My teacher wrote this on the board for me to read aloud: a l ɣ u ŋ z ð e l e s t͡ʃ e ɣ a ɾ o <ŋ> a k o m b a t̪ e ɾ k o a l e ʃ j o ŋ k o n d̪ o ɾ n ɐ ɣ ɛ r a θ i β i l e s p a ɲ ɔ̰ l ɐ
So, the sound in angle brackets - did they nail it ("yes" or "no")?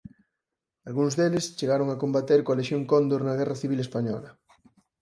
yes